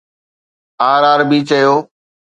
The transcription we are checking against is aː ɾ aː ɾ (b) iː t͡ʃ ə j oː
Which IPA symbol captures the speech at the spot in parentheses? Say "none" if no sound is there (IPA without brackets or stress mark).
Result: b